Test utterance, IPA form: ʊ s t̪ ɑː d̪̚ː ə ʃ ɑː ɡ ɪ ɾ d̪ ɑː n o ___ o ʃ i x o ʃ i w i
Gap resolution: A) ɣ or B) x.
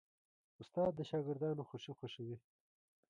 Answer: B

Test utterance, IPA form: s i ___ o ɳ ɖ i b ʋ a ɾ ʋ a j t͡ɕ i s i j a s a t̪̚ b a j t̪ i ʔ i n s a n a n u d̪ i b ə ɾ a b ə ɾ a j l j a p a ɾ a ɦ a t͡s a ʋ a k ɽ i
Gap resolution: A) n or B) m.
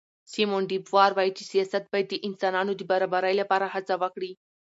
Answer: B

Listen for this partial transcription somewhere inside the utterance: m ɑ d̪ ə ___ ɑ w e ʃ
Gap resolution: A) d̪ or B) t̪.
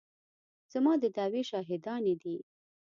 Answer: A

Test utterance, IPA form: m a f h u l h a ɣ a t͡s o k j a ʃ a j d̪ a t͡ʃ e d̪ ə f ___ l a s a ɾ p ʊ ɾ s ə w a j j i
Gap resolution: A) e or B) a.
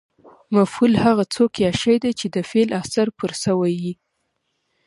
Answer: A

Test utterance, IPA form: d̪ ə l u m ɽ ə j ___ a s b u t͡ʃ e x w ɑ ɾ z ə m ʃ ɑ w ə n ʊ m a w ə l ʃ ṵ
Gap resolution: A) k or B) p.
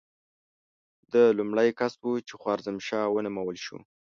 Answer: A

